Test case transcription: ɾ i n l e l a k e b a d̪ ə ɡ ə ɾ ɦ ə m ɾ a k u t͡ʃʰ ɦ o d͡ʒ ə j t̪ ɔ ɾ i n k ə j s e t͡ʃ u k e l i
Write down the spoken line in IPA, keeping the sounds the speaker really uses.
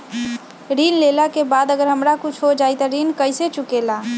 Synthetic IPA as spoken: ɾ i n l e l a k e b a d̪ ə ɡ ə ɾ ɦ ə m ɾ a k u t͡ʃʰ ɦ o d͡ʒ a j t̪ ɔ ɾ i n k ə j s e t͡ʃ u k e l a

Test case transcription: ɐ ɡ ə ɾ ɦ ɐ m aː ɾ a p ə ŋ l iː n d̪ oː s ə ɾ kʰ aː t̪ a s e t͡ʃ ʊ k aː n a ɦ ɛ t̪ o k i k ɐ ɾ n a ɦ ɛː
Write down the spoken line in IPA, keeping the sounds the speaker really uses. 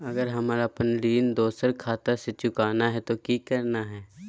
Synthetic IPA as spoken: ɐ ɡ ə ɾ ɦ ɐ m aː ɾ a p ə n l iː n d̪ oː s ə ɾ kʰ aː t̪ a s e t͡ʃ ʊ k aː n a ɦ ɛ t̪ o k i k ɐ ɾ n a ɦ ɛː

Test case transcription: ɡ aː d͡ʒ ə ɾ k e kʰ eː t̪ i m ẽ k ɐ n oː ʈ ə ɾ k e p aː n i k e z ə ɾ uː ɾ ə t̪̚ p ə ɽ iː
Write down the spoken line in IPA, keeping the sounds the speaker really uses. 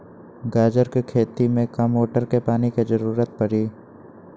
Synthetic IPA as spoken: ɡ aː d͡ʒ ə ɾ k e kʰ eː t̪ i m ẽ k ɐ m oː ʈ ə ɾ k e p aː n i k e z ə ɾ uː ɾ ə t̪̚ p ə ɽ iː

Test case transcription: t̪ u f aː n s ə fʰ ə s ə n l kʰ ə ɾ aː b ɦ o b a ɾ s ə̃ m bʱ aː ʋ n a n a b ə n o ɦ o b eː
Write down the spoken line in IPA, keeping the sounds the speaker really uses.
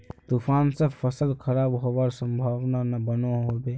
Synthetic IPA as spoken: t̪ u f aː n s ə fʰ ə s ə l kʰ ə ɾ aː b ɦ o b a ɾ s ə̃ m bʱ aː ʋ n a n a b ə n o ɦ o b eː

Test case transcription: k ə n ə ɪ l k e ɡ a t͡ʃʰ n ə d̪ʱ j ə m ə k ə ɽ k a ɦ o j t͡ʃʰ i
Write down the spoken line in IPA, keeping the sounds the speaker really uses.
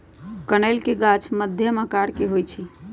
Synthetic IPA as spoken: k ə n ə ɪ l k e ɡ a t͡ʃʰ m ə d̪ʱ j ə m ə k a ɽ k e ɦ o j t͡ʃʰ i

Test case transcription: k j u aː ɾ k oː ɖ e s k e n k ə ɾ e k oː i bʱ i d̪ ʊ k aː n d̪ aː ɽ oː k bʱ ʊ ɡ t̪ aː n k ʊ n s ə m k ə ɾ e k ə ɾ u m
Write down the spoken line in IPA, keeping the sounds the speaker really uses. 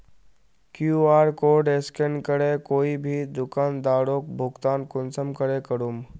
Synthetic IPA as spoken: k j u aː ɾ k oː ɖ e s k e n k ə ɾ e k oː i bʱ i d̪ ʊ k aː n d̪ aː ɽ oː k bʱ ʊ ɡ t̪ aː n k ʊ n s ə m k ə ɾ e k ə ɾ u m

